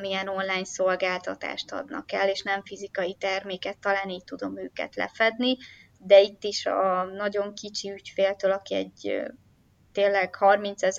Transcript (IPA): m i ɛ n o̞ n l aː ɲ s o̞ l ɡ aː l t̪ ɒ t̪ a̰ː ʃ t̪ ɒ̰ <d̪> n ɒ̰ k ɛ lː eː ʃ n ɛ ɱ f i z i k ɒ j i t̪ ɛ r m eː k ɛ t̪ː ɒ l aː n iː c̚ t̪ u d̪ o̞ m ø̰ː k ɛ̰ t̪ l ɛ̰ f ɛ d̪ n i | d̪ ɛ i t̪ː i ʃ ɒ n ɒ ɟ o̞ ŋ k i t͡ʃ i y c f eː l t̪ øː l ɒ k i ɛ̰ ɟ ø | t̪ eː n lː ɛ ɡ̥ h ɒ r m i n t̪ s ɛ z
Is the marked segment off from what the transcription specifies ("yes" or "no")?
no